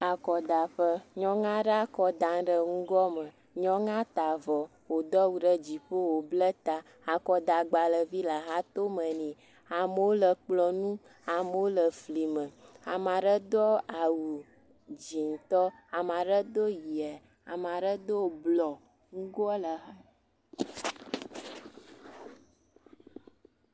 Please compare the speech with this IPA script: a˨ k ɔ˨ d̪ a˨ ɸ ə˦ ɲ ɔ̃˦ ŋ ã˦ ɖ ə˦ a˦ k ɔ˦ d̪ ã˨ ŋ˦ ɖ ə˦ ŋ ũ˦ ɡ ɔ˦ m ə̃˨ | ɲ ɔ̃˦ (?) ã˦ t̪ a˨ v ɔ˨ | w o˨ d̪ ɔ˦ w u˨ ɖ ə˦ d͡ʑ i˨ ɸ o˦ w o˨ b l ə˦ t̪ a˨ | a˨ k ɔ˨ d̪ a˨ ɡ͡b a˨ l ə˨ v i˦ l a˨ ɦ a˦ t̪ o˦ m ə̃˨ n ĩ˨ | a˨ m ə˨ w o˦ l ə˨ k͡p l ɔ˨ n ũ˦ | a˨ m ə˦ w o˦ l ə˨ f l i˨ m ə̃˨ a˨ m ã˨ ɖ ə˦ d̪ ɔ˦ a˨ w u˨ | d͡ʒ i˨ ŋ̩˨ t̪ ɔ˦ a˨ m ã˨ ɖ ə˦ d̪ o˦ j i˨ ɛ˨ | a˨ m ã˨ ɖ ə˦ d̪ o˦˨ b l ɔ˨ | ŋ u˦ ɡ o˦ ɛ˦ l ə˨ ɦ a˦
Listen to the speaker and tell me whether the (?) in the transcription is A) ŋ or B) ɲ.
A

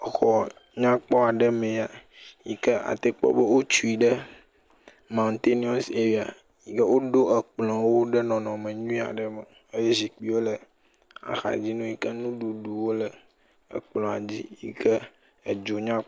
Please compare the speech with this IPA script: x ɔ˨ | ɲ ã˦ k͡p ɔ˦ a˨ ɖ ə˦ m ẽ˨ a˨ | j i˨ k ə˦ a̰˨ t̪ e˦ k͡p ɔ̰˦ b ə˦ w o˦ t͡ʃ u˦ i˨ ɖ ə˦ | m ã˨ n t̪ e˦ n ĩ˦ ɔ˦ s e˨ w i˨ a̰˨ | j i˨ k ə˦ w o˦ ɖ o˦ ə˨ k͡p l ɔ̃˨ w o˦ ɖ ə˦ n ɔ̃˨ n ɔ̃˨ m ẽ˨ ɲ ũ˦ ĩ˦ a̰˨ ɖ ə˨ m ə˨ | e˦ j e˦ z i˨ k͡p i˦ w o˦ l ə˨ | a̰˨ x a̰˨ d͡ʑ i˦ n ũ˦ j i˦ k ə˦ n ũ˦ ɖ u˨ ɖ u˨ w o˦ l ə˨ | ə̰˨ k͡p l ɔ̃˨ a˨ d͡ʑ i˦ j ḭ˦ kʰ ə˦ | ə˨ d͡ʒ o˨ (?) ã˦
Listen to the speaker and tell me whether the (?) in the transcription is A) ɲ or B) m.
A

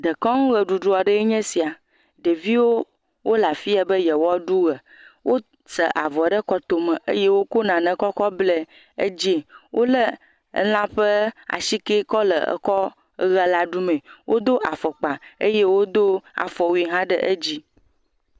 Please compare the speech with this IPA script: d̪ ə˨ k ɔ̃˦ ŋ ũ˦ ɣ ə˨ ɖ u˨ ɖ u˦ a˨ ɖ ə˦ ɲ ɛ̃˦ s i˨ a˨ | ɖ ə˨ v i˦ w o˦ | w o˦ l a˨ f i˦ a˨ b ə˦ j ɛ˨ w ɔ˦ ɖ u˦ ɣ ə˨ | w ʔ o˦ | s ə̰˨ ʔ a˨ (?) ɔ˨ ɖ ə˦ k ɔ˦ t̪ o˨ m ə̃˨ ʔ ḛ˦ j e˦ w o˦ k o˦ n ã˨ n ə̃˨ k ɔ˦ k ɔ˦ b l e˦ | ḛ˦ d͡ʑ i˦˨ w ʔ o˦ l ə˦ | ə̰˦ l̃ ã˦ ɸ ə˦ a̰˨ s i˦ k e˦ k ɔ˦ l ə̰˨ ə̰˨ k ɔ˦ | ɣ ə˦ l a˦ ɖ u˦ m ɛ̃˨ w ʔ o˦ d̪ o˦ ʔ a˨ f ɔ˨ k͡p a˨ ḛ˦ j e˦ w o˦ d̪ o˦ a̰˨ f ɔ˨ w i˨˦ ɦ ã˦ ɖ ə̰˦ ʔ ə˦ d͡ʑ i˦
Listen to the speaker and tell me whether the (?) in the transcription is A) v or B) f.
A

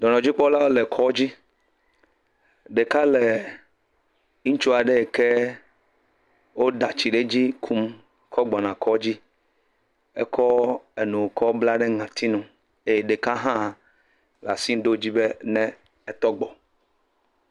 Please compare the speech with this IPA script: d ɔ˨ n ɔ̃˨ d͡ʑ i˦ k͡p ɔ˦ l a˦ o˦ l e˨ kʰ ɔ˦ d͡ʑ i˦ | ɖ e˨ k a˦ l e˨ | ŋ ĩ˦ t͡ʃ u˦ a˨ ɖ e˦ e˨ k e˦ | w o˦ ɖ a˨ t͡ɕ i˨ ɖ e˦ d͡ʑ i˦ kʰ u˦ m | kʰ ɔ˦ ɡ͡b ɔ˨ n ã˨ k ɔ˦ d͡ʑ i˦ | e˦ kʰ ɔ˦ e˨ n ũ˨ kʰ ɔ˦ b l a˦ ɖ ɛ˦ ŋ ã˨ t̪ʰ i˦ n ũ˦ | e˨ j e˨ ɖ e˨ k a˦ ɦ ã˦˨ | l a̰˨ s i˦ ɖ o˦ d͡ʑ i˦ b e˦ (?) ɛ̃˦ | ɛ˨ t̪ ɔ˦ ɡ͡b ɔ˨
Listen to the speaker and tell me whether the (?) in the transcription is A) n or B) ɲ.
A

